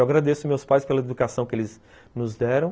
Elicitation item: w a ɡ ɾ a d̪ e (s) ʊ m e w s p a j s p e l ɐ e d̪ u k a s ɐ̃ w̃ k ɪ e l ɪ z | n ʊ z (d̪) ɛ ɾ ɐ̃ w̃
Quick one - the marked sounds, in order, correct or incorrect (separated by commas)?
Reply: correct, correct